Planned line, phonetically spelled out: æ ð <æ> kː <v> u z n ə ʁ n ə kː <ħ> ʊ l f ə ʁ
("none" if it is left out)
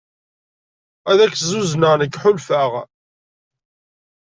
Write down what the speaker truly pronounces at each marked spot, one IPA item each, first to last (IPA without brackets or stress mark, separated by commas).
æ, z, ħ